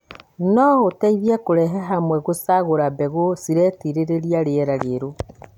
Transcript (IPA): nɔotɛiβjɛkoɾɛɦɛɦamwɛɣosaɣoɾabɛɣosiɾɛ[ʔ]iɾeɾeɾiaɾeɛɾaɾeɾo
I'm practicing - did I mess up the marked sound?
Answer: yes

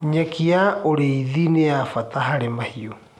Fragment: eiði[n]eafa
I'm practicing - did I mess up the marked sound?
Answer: no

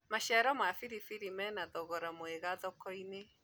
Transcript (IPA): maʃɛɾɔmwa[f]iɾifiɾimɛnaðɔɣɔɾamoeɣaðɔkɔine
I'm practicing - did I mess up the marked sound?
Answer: no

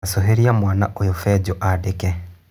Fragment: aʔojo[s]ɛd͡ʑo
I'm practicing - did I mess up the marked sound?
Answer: yes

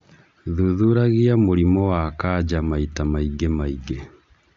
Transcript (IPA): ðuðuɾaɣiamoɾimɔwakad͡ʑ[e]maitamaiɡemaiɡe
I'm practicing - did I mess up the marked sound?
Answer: yes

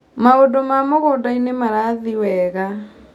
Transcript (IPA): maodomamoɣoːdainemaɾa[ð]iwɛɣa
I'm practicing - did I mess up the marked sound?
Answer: no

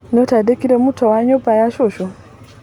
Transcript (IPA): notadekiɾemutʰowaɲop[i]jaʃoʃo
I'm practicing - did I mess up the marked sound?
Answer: yes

